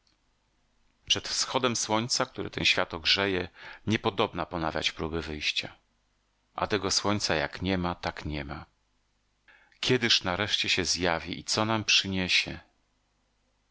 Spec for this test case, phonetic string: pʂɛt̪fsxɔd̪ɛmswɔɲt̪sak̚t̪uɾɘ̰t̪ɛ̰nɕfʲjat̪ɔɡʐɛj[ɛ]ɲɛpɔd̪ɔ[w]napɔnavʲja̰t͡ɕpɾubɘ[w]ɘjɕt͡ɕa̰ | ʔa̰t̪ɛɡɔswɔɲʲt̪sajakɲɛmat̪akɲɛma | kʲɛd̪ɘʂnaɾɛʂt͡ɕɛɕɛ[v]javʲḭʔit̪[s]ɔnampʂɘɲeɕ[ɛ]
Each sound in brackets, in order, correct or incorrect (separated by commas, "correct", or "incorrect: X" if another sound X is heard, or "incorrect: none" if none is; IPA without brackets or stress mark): correct, incorrect: b, incorrect: v, incorrect: z, correct, correct